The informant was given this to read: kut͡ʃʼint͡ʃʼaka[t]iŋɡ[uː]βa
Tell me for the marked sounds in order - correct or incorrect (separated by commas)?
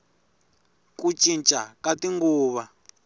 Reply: correct, correct